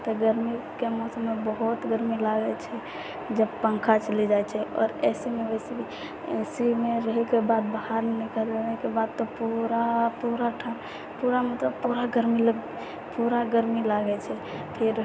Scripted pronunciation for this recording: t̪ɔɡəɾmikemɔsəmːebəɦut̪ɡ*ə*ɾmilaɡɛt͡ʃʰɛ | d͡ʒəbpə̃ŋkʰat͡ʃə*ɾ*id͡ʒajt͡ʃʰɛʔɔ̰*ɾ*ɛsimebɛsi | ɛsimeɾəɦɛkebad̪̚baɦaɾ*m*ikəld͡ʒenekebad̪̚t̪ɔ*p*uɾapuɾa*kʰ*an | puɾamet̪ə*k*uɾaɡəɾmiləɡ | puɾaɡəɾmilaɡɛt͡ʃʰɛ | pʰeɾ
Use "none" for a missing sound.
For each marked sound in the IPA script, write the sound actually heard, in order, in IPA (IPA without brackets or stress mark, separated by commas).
ə, l, ɾ, n, p, ʈʰ, p